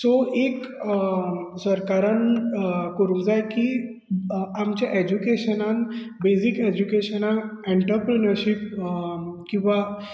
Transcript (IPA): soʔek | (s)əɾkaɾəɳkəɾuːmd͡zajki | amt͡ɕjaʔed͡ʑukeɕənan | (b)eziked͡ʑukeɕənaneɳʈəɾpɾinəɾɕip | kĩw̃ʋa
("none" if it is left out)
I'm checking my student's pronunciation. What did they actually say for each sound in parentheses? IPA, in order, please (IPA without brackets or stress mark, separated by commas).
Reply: s, b